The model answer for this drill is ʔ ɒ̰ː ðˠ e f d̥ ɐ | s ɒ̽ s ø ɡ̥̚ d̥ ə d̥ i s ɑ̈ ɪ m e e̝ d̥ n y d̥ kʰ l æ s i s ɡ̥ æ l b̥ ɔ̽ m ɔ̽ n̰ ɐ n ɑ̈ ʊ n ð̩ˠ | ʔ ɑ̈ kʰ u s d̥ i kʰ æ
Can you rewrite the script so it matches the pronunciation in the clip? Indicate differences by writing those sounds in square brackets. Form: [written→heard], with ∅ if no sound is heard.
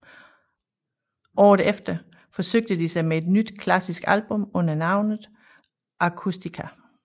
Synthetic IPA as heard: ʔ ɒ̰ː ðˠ e f d̥ ɐ | [s→f] ɒ̽ s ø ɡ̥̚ d̥ ə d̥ i s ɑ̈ ɪ m e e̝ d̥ n y d̥ kʰ l æ s i s ɡ̥ æ l b̥ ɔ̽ m ɔ̽ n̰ ɐ n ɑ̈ ʊ n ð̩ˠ | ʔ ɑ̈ kʰ u s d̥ i kʰ æ

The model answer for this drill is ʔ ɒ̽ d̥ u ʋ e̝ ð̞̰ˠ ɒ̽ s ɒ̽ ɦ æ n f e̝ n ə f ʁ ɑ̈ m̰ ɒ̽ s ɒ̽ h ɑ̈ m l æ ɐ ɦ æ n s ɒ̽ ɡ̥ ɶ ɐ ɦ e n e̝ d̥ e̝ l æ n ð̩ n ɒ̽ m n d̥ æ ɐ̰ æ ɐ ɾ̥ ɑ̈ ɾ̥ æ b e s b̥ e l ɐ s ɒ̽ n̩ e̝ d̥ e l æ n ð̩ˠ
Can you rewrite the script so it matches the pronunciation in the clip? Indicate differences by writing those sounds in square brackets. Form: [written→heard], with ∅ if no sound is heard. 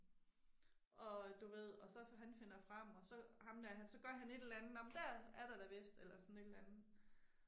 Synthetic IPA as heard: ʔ ɒ̽ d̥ u ʋ e̝ ð̞̰ˠ ɒ̽ s ɒ̽ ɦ æ n f e̝ n [ə→ɐ] f ʁ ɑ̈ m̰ ɒ̽ s ɒ̽ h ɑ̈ m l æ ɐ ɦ æ n s ɒ̽ ɡ̥ ɶ ɐ ɦ [e→æ] n e̝ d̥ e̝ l æ n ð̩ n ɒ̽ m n d̥ æ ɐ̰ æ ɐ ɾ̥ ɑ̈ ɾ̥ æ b e s [b̥→d̥] e l ɐ s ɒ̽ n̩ e̝ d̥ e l æ n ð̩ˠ

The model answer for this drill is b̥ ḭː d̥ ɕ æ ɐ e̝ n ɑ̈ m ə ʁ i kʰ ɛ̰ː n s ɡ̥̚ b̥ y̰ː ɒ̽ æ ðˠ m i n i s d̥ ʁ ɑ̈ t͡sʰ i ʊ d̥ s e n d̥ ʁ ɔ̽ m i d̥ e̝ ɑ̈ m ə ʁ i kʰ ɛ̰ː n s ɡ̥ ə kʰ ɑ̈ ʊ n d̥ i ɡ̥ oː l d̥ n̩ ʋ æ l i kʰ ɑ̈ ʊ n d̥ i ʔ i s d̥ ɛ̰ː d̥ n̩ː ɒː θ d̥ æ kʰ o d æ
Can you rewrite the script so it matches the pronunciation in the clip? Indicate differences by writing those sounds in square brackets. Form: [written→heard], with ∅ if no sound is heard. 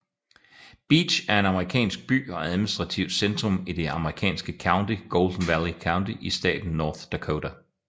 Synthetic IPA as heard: b̥ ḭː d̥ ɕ æ ɐ e̝ n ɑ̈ m ə ʁ i kʰ ɛ̰ː n s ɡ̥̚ b̥ y̰ː ɒ̽ æ ðˠ m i n i s d̥ ʁ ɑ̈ t͡sʰ i ʊ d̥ s e n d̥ ʁ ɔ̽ m i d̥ e̝ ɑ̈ m ə ʁ i kʰ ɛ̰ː n s ɡ̥ ə kʰ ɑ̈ ʊ n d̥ i ɡ̥ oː l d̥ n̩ ʋ æ l i kʰ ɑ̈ ʊ n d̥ i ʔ i s d̥ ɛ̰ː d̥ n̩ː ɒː θ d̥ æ kʰ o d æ

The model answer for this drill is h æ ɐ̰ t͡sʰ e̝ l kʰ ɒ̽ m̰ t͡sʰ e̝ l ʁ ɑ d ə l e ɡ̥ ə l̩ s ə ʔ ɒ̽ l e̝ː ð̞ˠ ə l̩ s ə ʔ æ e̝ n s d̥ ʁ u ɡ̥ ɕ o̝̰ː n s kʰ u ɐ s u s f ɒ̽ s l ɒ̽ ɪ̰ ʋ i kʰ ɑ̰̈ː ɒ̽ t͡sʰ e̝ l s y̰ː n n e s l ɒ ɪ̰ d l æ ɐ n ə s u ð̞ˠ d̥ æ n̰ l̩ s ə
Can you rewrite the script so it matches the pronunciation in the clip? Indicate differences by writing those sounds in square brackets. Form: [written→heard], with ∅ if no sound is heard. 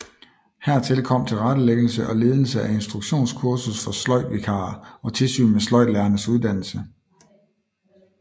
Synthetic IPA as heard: h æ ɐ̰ t͡sʰ e̝ l kʰ ɒ̽ m̰ t͡sʰ e̝ l ʁ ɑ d ə l e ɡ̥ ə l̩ s ə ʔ ɒ̽ l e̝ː ð̞ˠ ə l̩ s ə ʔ æ e̝ n s d̥ ʁ u ɡ̥ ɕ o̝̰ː n s kʰ u ɐ s u s f ɒ̽ s l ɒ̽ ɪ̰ ʋ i kʰ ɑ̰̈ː ɒ̽ t͡sʰ e̝ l s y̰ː n [n→m] e s l ɒ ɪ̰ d l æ ɐ n ə s u ð̞ˠ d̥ æ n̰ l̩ s ə

